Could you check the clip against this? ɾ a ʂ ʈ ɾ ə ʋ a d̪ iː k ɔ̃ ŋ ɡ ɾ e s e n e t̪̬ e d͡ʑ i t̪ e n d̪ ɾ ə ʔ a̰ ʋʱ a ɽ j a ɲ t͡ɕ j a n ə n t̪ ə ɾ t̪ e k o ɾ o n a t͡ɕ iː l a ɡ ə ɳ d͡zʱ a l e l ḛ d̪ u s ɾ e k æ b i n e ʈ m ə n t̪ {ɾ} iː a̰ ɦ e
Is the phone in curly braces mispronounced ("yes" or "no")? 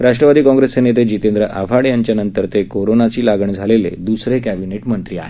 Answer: no